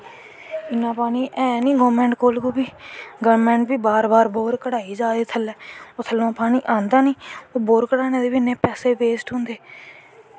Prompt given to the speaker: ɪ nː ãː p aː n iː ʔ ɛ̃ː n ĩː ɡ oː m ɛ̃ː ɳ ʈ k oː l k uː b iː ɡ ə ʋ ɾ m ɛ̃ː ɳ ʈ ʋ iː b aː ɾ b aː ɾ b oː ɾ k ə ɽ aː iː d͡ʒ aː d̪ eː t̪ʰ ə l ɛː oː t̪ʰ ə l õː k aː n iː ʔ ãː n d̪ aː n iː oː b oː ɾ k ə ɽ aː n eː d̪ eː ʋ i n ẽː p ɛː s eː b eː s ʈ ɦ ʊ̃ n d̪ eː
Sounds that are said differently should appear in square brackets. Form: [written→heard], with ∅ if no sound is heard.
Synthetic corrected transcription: ɪ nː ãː p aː n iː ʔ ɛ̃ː n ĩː ɡ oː m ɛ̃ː ɳ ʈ k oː l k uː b iː ɡ ə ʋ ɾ m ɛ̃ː ɳ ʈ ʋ iː b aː ɾ b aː ɾ b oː ɾ k ə ɽ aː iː d͡ʒ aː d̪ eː t̪ʰ ə l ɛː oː t̪ʰ ə l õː [k→p] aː n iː ʔ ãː n d̪ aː n iː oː b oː ɾ k ə ɽ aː n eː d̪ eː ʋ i n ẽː p ɛː s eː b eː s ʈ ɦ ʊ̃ n d̪ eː